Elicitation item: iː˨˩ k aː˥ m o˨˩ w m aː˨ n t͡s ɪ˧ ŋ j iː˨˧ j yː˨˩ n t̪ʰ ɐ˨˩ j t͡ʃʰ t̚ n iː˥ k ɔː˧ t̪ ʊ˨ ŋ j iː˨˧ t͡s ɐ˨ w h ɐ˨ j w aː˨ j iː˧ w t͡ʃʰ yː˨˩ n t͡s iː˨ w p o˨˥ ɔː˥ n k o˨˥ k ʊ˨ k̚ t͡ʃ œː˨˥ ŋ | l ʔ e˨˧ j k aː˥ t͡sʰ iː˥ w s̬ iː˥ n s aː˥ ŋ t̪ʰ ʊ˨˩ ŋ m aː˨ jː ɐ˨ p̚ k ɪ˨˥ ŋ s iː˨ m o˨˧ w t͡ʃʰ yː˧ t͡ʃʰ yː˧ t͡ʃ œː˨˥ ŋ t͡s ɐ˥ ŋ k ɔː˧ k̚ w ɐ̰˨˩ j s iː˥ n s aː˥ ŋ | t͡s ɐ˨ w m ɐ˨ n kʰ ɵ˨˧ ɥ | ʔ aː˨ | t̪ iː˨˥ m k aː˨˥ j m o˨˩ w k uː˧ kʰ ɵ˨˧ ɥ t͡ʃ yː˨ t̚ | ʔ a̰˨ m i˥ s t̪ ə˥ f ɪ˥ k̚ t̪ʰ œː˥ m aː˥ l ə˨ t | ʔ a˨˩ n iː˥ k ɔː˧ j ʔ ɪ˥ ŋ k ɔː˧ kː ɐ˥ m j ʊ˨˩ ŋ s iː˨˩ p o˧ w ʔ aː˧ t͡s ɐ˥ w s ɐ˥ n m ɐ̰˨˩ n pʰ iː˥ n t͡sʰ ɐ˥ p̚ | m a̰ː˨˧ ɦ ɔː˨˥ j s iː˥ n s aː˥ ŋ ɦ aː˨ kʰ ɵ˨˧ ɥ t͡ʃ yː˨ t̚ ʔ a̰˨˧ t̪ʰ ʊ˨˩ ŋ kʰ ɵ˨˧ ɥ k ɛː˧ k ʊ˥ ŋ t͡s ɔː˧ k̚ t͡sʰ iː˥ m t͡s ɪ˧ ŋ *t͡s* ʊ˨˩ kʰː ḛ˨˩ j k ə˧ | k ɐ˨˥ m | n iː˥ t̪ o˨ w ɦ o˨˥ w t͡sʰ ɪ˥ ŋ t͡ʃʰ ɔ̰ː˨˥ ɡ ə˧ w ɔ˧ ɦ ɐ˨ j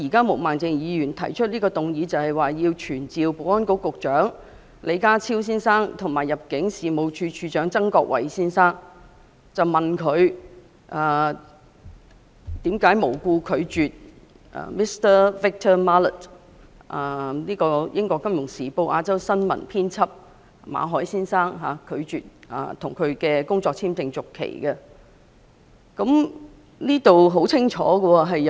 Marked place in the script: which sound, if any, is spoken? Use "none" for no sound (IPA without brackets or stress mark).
t͡s